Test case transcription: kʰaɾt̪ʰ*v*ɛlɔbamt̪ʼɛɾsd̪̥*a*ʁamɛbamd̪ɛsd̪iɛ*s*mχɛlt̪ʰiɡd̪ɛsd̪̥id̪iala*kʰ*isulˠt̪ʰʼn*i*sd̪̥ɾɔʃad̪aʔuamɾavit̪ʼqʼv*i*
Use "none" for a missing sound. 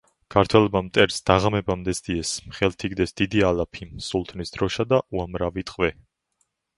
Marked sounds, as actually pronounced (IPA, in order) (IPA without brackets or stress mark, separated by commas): w, a, s, pʰ, i, ɛ